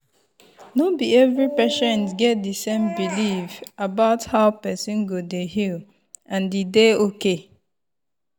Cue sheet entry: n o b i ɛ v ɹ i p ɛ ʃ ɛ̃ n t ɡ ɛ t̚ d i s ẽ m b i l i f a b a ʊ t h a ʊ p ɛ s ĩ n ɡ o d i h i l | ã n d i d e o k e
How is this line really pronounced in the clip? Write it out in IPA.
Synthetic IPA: n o b i ɛ v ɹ i p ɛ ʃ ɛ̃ n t ɡ ɛ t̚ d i s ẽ m b i l i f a b a ʊ t h a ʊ p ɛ s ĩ n ɡ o d e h i l | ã n d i d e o k e